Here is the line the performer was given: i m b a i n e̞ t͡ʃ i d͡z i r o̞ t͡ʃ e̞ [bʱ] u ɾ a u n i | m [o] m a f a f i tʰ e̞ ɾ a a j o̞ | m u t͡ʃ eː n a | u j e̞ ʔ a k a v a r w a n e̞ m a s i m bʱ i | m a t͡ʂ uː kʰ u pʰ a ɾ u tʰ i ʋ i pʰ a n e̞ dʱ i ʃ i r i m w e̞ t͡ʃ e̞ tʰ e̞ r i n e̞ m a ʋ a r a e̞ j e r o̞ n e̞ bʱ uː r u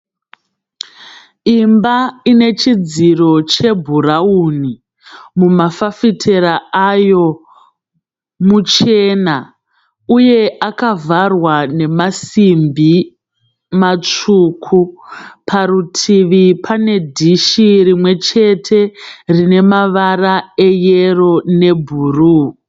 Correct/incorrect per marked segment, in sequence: correct, incorrect: u

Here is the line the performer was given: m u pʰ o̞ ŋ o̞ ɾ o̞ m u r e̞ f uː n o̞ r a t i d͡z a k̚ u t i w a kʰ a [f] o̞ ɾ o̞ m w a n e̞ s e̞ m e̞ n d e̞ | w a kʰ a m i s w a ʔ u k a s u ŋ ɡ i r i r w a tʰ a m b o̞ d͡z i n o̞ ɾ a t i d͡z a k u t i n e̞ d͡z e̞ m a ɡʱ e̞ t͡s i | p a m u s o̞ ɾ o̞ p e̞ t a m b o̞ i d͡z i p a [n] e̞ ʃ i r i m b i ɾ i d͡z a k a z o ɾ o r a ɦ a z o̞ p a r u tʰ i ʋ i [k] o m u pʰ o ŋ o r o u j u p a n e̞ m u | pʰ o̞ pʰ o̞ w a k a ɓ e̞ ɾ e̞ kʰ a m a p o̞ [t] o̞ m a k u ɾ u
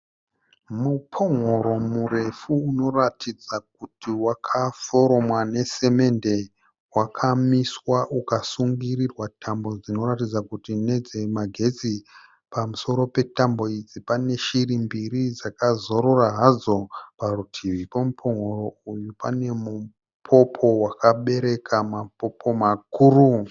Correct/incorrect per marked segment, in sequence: correct, correct, incorrect: p, incorrect: p

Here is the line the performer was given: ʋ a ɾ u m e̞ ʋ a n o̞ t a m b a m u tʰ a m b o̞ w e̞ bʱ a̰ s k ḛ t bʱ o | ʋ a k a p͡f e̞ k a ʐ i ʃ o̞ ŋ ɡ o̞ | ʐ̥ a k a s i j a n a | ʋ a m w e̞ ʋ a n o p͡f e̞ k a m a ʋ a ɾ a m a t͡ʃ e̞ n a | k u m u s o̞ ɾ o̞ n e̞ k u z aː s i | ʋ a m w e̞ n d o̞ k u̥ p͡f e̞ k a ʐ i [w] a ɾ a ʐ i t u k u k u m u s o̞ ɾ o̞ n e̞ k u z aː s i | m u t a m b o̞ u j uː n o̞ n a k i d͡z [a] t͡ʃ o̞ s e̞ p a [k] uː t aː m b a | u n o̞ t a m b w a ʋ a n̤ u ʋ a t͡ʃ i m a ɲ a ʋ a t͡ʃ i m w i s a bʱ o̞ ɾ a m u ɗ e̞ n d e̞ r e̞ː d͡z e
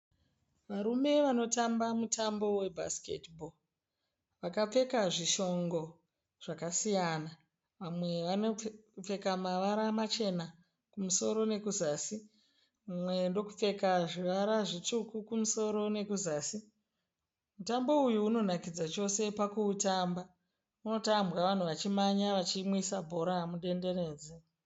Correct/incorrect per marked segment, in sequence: incorrect: ʋ, correct, correct

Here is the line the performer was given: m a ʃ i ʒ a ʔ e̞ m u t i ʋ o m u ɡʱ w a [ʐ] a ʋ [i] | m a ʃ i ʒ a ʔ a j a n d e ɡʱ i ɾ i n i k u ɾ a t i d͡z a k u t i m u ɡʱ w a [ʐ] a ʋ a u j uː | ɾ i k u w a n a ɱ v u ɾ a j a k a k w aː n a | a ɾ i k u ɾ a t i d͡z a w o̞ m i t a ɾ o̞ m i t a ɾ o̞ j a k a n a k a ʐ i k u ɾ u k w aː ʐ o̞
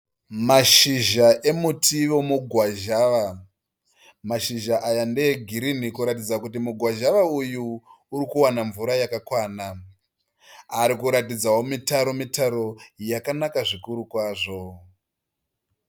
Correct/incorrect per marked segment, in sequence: incorrect: ʒ, incorrect: a, incorrect: ʒ

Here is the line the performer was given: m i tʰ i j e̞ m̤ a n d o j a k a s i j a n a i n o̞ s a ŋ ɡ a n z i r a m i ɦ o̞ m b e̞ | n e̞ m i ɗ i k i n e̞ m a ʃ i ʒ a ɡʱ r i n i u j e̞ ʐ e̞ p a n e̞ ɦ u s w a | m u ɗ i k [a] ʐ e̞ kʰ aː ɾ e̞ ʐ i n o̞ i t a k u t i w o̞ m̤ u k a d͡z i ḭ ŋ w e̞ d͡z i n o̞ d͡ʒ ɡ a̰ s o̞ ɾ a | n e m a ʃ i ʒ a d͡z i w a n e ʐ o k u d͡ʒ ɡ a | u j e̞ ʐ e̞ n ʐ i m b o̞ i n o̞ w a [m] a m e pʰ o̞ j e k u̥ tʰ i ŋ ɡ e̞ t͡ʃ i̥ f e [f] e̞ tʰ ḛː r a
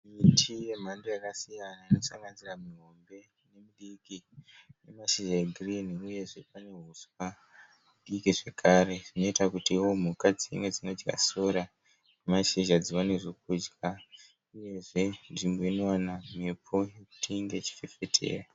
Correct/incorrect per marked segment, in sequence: incorrect: i, incorrect: n, correct

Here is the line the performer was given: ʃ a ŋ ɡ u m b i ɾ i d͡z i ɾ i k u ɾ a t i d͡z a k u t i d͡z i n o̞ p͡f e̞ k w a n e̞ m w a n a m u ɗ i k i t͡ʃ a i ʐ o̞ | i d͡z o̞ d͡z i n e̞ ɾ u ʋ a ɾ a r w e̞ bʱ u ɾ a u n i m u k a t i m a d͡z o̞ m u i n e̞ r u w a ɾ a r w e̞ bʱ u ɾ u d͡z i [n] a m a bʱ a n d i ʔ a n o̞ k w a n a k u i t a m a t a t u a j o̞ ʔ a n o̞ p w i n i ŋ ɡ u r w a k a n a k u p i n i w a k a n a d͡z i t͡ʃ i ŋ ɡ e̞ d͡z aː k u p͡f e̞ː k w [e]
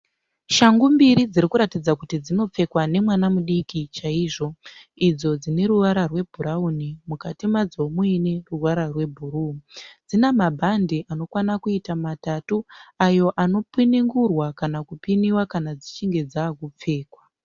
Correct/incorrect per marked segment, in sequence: correct, incorrect: a

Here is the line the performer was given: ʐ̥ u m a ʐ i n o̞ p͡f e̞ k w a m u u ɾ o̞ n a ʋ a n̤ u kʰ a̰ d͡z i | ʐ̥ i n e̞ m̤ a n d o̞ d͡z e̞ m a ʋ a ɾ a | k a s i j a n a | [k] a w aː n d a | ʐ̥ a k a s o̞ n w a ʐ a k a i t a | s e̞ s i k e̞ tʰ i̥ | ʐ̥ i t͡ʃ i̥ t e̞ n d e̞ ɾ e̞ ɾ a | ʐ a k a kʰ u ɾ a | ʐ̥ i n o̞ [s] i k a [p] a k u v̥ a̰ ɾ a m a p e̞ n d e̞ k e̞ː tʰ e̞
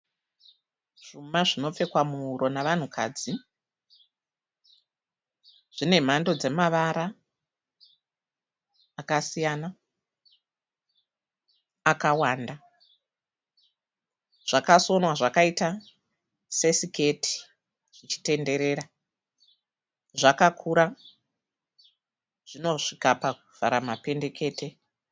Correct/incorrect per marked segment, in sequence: correct, incorrect: ʂ, correct

